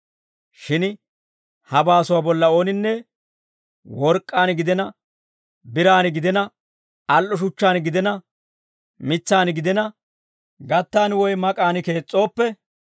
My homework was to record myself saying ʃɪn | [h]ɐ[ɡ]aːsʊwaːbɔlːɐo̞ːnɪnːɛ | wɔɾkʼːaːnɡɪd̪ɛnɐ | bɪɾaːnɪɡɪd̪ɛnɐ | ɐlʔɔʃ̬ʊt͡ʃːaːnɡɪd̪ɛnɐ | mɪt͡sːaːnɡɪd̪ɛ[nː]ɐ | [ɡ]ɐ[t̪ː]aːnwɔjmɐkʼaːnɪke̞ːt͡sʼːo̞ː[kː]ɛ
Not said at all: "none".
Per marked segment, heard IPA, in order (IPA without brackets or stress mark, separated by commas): h, b, n, ɡ, t̪ː, pː